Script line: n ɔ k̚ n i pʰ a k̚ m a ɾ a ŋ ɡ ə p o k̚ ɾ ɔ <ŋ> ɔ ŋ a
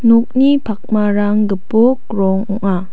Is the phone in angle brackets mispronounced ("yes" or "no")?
no